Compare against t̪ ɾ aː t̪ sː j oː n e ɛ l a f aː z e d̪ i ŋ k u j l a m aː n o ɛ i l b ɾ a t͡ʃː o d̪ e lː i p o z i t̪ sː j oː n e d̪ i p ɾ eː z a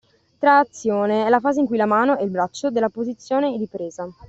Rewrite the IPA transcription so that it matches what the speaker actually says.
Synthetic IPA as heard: t̪ ɾ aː t̪ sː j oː n e ɛ l a f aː z e i ŋ k u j l a m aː n o ɛ i l b ɾ a t͡ʃː o d̪ e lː a p o z i t̪ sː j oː n e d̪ i p ɾ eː z a